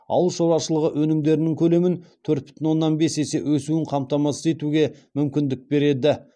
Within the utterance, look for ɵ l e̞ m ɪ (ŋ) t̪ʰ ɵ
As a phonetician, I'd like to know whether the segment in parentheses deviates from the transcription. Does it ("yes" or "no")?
yes